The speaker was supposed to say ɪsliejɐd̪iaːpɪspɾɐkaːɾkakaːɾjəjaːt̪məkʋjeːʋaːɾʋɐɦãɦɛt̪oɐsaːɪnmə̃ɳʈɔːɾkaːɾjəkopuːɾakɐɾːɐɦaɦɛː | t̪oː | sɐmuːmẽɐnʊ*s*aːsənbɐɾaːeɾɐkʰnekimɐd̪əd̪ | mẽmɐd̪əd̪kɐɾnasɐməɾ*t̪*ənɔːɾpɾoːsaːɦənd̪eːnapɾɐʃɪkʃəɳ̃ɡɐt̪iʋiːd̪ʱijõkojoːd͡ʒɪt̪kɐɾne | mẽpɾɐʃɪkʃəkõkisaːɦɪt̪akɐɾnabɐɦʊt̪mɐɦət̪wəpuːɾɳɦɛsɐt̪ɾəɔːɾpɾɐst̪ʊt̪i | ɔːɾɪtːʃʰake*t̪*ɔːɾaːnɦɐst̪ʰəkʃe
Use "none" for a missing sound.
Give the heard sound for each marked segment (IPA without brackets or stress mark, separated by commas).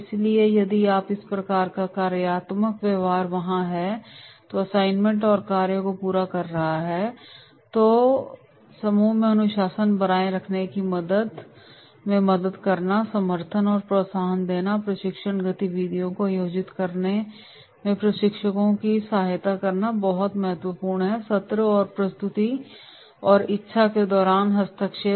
ʃ, t̪ʰ, d̪